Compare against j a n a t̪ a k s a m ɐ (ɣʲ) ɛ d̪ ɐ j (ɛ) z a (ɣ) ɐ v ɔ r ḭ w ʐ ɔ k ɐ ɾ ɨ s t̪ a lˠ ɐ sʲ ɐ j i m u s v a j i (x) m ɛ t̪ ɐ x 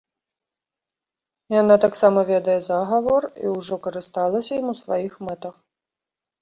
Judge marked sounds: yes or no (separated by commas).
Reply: no, yes, yes, yes